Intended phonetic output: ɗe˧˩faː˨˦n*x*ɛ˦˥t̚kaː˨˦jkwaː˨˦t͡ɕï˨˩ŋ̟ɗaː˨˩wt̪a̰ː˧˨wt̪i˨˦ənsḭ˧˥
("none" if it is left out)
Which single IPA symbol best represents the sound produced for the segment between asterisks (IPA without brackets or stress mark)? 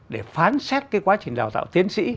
s